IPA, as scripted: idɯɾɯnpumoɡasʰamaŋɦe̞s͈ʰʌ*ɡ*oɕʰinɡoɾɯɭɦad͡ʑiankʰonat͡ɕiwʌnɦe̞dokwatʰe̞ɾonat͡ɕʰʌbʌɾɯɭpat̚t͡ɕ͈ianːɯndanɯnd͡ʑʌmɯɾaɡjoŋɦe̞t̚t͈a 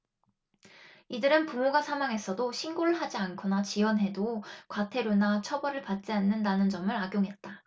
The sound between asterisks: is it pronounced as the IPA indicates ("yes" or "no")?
no